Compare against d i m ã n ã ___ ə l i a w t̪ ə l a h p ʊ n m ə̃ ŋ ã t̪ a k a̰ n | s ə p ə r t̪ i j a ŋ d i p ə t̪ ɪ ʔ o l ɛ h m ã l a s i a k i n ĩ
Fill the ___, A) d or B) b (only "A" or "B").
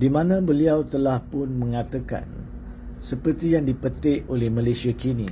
B